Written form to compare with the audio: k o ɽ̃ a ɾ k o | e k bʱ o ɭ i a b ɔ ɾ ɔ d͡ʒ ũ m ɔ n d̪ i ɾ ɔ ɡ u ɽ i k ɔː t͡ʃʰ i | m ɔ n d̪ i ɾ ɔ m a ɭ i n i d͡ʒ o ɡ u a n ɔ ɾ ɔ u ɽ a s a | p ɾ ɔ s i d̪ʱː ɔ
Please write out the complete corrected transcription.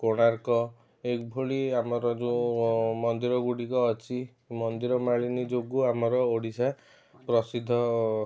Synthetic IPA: k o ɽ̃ a ɾ k ɔ | e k bʱ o ɭ i a m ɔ ɾ ɔ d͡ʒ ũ m ɔ n d̪ i ɾ ɔ ɡ u ɽ i k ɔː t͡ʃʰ i | m ɔ n d̪ i ɾ ɔ m a ɭ i n i d͡ʒ o ɡ u a m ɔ ɾ ɔ o ɽ i s a | p ɾ ɔ s i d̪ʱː ɔ